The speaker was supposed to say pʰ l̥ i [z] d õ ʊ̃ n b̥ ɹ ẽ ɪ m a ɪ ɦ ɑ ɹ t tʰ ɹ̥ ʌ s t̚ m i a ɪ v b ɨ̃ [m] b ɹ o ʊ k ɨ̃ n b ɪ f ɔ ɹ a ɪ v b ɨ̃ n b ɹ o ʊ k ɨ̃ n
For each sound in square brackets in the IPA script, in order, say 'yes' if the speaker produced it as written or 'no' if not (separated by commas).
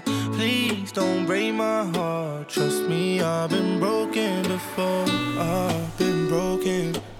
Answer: yes, no